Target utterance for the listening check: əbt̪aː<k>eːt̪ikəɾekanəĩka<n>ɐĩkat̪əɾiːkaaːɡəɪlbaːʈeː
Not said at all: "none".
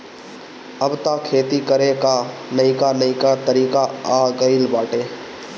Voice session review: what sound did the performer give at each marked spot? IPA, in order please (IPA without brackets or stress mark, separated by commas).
kʰ, n